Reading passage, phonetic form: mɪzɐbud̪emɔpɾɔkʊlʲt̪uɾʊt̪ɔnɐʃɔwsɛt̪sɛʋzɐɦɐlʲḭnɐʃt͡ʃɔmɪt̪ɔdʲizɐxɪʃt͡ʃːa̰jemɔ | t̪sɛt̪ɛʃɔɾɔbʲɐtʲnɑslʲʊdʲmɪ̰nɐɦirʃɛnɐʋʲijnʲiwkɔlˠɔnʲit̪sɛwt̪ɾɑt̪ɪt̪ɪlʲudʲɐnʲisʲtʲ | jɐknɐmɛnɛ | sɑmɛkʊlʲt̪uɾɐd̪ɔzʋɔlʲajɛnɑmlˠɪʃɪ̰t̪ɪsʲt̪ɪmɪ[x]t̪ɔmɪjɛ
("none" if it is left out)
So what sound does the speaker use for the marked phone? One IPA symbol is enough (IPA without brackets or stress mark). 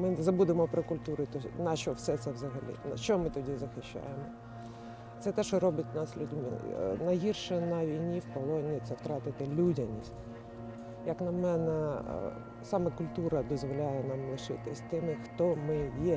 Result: x